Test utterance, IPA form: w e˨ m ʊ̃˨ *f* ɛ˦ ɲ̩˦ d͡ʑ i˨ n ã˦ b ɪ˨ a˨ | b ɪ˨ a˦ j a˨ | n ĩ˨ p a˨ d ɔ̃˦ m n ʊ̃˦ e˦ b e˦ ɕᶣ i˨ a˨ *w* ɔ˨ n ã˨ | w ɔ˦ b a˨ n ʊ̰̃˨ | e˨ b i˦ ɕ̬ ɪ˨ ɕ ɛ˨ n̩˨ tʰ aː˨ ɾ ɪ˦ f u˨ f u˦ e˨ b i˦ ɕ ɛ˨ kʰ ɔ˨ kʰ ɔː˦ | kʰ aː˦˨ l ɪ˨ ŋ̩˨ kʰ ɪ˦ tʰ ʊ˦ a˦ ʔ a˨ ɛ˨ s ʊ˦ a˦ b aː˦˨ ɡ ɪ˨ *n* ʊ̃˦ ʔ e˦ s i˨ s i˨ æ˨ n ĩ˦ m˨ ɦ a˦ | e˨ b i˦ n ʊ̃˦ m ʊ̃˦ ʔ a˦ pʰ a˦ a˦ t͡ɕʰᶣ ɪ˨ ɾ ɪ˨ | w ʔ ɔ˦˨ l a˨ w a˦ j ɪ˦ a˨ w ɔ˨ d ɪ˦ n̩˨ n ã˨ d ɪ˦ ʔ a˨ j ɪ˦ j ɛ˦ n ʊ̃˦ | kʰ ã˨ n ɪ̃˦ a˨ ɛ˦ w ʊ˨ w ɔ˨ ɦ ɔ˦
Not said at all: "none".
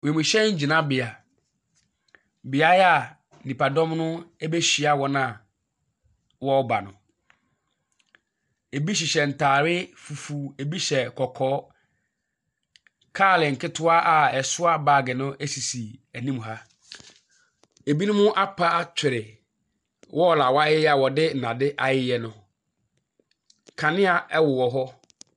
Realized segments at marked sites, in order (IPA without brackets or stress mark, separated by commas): ɕ, w, n